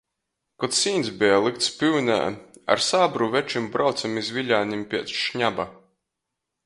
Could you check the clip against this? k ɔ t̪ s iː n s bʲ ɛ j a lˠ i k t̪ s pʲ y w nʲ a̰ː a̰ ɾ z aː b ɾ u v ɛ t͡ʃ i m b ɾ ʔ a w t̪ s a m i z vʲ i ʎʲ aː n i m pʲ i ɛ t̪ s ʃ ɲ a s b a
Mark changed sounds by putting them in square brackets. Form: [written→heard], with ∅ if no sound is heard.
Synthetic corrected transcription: k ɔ t̪ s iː n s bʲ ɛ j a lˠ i k t̪ s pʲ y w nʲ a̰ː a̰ ɾ [z→s] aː b ɾ u v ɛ t͡ʃ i m b ɾ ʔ a w t̪ s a m i z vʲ i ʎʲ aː n i m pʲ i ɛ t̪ s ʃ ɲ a [s→∅] b a